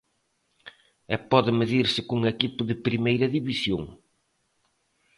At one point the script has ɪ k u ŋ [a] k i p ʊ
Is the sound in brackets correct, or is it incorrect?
incorrect